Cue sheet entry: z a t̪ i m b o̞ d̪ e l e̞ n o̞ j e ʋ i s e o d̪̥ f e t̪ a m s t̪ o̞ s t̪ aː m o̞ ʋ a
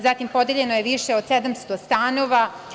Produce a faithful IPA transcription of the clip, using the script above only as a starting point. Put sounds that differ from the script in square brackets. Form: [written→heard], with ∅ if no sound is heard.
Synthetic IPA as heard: z a t̪ i m [b→p] o̞ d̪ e [l→ʎ] e̞ n o̞ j e ʋ i [s→ʃ] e o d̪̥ [f→s] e [t̪→d̪] a m s t̪ o̞ s t̪ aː [m→n] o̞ ʋ a